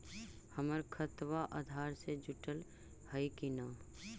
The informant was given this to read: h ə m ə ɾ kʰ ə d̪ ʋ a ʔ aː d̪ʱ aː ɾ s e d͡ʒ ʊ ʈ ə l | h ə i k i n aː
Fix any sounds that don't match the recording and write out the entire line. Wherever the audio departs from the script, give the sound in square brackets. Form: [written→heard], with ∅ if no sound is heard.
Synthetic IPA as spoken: h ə m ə ɾ kʰ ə [d̪→t̪] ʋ a ʔ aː d̪ʱ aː ɾ s e d͡ʒ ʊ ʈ ə l | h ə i k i n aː